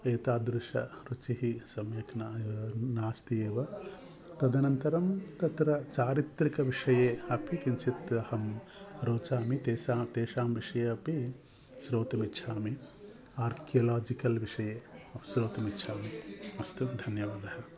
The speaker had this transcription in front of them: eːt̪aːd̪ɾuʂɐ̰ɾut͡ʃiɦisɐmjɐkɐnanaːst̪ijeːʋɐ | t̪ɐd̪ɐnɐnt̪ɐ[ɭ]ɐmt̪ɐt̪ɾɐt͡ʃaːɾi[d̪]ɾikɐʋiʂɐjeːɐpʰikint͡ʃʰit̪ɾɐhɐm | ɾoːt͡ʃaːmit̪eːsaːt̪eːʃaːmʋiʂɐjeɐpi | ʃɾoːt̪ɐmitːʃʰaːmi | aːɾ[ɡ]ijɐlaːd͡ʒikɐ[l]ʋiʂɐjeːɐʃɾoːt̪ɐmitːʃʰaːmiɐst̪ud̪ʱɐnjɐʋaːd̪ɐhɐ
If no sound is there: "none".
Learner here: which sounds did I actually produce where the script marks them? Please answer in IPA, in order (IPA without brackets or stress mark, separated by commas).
ɾ, t̪, k, l